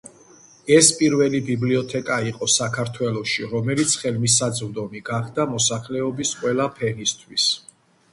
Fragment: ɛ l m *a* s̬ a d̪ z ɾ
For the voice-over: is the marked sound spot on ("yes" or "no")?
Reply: no